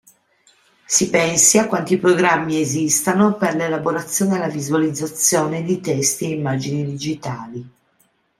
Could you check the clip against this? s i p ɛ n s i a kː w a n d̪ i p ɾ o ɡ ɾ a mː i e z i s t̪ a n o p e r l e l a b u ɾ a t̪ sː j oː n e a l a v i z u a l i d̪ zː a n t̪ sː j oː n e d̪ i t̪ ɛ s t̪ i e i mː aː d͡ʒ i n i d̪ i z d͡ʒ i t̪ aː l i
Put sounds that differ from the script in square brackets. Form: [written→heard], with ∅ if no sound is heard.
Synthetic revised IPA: s i p ɛ n s i a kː w a n [d̪→t̪] i p ɾ o ɡ ɾ a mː i e z i s t̪ a n o p e r l e l a b [u→o] ɾ a t̪ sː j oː n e a l a v i z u a l i d̪ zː a [n→∅] t̪ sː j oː n e d̪ i t̪ ɛ s t̪ i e i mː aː d͡ʒ i n i d̪ i [z→∅] d͡ʒ i t̪ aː l i